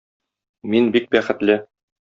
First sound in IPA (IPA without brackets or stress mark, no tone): m